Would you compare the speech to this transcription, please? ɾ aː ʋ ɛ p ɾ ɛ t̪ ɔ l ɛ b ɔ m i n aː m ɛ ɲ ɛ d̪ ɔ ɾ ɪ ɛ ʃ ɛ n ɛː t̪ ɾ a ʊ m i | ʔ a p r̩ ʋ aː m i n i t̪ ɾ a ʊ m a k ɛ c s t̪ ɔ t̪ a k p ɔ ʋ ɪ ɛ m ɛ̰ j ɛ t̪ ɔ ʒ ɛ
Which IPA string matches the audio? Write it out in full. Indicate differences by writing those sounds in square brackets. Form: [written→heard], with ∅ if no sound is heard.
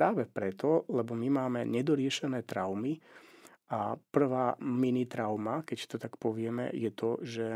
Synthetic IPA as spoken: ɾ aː ʋ ɛ p ɾ ɛ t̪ ɔ l ɛ b ɔ m i [n→m] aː m ɛ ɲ ɛ d̪ ɔ ɾ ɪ ɛ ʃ ɛ n ɛː t̪ ɾ a ʊ m i | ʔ a p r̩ ʋ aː m i n i t̪ ɾ a ʊ m a k ɛ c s t̪ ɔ t̪ a k p ɔ ʋ ɪ ɛ m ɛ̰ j ɛ t̪ ɔ ʒ ɛ